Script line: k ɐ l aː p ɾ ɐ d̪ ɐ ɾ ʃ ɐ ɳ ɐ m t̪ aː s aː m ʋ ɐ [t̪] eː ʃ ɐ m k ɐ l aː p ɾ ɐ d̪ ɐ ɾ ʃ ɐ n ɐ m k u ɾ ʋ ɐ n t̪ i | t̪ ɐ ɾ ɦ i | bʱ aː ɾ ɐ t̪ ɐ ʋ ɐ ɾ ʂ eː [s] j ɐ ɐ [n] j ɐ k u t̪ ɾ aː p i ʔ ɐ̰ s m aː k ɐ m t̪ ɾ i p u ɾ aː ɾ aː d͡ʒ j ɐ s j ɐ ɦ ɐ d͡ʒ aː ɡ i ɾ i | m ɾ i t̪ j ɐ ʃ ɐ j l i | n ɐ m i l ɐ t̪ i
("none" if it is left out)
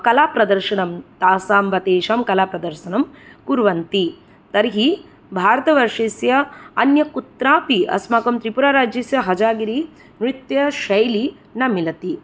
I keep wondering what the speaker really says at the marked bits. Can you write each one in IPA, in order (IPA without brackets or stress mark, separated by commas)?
t̪, s, n